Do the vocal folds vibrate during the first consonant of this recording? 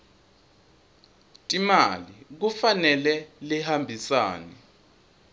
no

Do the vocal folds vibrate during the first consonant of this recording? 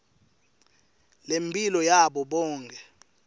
yes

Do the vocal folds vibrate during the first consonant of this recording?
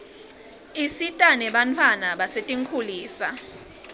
no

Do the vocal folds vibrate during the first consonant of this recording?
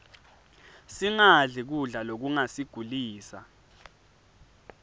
no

